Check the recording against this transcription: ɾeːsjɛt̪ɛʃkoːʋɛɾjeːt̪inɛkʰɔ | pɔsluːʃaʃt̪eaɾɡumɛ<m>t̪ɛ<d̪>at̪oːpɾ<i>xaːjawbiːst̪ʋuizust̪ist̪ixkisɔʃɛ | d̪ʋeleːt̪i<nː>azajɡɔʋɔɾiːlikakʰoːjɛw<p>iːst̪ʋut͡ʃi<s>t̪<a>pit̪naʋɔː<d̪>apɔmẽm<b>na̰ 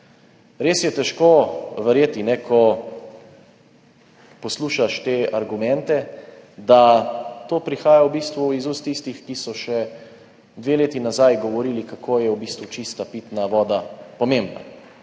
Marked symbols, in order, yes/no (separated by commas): no, yes, yes, no, no, yes, yes, yes, yes